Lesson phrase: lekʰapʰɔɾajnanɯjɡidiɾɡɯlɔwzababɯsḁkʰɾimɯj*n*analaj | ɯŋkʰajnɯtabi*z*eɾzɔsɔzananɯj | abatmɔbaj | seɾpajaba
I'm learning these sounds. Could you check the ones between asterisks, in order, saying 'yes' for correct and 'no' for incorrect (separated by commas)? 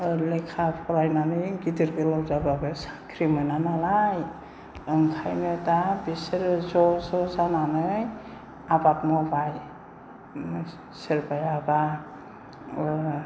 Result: yes, no